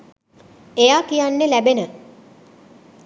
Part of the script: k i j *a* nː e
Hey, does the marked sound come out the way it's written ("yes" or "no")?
yes